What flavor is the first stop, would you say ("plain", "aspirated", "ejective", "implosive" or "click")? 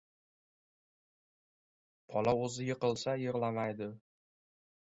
aspirated